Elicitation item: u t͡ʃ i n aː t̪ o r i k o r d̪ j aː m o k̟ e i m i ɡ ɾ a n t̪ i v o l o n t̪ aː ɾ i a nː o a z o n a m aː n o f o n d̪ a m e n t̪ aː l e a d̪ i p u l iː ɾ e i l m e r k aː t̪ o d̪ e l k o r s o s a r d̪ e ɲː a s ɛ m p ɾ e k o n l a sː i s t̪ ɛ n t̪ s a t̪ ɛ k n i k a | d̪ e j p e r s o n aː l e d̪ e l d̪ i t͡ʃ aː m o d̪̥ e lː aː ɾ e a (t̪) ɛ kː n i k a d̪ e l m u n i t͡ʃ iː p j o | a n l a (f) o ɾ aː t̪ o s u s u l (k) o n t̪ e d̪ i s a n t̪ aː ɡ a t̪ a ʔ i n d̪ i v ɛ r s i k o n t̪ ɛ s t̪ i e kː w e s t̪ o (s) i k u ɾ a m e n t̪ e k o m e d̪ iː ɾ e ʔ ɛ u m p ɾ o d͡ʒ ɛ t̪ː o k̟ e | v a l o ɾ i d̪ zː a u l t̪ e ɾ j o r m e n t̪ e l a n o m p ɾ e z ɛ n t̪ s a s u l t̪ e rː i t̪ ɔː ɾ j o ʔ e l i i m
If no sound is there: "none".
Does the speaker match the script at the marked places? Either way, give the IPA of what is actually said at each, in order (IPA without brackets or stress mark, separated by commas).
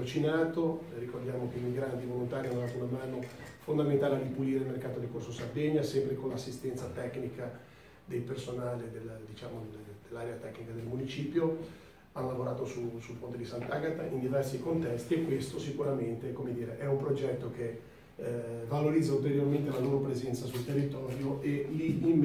t̪, v, p, s